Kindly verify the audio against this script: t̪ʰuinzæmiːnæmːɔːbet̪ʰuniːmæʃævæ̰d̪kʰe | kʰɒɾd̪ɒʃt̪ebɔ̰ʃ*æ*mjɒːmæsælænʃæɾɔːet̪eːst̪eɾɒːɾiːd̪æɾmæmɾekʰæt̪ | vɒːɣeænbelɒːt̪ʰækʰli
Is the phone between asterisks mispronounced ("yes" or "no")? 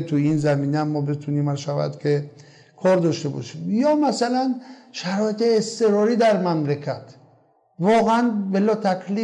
yes